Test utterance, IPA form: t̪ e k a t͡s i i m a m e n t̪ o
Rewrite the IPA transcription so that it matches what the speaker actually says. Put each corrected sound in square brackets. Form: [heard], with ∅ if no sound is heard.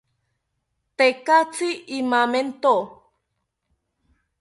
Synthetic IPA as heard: t̪ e k a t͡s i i m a m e n t̪ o